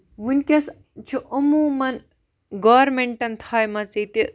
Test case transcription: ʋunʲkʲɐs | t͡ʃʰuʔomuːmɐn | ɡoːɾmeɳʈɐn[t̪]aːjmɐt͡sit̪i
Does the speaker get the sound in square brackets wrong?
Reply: yes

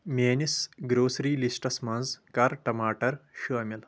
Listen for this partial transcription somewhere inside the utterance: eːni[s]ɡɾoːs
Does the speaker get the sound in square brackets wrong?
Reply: no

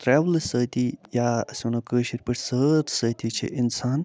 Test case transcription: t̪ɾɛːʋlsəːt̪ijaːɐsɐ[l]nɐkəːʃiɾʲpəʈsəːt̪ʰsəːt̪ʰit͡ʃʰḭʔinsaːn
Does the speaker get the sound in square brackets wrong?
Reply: yes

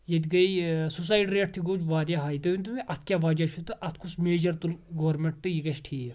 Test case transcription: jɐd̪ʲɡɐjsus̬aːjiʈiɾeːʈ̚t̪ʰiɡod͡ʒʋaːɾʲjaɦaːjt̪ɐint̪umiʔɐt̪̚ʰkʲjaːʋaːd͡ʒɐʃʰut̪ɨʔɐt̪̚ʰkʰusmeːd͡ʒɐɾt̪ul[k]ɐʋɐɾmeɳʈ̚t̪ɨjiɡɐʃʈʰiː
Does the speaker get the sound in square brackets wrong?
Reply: yes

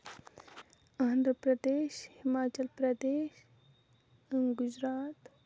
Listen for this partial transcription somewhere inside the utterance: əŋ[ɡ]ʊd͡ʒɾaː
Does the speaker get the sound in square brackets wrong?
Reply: no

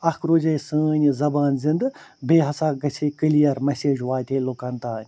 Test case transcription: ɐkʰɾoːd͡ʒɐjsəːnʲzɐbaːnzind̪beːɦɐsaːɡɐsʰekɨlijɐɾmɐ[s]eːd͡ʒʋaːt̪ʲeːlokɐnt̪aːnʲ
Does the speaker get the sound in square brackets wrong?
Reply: no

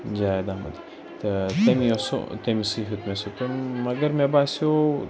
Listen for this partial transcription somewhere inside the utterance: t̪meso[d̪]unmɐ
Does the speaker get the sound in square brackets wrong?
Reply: yes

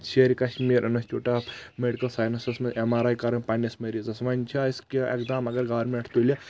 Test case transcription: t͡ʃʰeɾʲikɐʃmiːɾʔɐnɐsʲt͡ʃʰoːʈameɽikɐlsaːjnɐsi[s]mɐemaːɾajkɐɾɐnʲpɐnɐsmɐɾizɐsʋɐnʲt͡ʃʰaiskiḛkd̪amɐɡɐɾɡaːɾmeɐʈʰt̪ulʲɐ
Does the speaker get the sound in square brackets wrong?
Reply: no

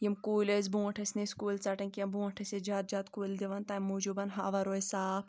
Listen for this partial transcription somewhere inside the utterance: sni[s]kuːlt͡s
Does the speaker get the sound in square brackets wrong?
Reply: no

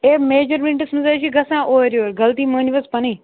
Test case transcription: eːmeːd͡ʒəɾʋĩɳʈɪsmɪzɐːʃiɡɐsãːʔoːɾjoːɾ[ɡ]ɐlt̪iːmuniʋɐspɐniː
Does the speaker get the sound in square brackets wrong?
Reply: no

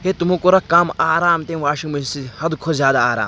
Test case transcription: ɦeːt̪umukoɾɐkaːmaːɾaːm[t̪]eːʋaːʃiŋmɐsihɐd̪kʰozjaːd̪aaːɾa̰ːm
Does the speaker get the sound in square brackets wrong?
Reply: no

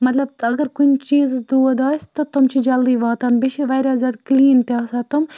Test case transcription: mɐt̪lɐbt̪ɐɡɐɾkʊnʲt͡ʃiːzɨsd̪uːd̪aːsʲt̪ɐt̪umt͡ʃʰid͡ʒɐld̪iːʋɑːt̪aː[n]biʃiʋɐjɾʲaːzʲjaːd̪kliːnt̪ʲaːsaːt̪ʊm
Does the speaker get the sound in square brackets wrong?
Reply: no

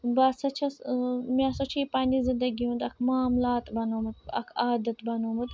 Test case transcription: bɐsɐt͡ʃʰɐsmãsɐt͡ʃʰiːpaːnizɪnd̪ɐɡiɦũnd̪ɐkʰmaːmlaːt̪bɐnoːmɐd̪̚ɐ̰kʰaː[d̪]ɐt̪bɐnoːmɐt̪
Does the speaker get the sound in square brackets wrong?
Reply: no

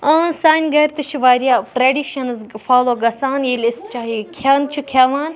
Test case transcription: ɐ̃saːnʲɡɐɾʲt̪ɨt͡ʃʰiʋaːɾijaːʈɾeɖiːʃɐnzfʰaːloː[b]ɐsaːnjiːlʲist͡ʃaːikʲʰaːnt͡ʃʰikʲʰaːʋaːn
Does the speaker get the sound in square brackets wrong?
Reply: yes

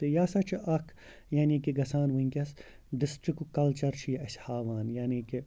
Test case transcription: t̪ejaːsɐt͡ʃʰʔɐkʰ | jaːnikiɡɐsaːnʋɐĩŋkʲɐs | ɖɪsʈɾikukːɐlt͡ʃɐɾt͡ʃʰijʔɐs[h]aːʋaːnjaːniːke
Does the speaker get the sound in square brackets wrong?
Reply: no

